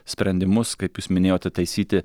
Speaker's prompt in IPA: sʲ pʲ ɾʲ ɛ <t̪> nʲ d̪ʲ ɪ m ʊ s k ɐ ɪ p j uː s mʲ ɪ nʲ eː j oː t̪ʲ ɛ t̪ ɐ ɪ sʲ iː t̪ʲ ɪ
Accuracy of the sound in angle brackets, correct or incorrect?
incorrect